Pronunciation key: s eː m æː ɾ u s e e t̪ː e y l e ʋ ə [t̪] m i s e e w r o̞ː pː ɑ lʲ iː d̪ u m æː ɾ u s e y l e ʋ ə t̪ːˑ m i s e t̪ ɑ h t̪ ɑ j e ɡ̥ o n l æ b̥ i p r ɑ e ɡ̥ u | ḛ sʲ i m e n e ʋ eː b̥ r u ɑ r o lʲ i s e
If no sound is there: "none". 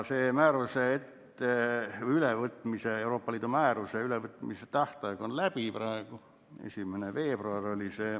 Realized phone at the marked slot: t̪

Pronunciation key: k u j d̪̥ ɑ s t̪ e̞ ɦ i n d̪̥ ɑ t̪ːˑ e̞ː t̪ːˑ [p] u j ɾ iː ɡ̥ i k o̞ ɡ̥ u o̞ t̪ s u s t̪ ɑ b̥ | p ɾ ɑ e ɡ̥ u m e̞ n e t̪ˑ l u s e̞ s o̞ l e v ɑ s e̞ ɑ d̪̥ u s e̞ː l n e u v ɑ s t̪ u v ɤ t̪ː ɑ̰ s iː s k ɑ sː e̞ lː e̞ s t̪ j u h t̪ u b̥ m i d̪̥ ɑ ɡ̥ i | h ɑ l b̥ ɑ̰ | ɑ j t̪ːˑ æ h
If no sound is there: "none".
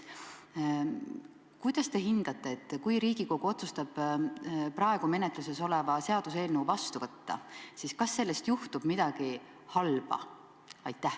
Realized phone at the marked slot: k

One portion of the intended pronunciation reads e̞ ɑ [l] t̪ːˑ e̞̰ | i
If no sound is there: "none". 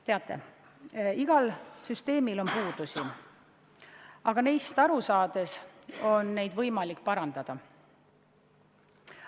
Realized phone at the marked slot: none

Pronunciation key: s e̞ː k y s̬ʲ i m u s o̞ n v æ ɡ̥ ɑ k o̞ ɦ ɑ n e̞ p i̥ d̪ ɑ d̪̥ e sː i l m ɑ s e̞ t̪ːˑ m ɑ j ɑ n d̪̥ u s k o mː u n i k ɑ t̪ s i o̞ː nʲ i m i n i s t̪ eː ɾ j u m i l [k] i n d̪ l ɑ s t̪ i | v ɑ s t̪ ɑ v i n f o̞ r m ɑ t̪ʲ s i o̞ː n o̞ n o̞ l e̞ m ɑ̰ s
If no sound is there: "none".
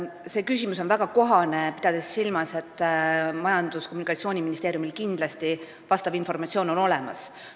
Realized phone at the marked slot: k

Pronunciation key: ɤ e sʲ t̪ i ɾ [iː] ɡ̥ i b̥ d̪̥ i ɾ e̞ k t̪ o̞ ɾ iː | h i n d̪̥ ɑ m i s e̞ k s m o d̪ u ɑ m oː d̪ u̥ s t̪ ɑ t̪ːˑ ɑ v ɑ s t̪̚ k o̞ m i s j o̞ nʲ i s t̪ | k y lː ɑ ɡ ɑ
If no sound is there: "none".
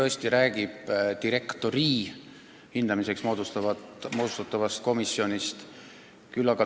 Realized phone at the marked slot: æː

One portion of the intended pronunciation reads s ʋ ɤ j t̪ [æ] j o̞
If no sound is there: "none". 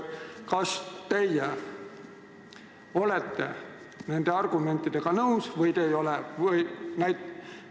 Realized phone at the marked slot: e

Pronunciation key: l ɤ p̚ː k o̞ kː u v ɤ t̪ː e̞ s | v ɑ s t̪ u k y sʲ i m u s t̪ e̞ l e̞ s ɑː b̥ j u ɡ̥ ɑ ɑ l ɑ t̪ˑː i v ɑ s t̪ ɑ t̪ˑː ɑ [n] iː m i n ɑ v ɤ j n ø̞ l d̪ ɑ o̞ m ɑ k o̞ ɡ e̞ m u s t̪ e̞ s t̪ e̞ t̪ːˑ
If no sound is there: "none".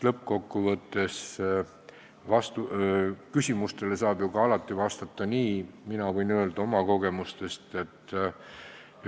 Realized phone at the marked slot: n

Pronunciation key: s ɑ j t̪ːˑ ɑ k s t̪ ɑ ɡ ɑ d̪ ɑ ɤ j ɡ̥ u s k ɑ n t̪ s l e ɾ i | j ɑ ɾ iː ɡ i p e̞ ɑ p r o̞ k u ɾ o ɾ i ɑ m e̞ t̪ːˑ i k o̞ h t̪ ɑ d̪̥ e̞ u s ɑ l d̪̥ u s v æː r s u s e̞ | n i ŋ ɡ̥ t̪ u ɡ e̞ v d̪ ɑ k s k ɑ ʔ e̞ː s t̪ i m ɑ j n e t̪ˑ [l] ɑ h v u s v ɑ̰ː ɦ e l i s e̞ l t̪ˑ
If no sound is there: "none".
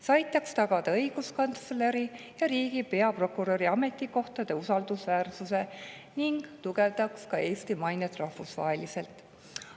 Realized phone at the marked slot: r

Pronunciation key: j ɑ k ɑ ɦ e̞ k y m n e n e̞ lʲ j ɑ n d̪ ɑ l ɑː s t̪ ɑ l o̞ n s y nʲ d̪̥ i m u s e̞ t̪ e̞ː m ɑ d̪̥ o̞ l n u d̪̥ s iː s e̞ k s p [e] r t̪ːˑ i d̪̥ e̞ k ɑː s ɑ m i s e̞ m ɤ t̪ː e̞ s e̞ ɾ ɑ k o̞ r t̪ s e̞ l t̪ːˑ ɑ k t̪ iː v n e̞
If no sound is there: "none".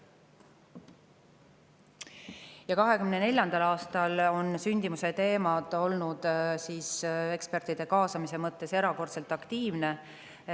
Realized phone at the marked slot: e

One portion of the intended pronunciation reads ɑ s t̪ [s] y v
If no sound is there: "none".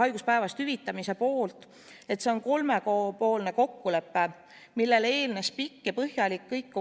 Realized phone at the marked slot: h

